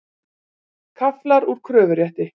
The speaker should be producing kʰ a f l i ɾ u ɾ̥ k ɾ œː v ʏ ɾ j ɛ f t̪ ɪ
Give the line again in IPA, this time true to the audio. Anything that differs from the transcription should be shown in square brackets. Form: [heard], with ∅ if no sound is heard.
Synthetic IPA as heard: kʰ a f l [a] ɾ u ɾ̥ [kʰ] ɾ œː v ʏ ɾ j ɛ [h] t̪ ɪ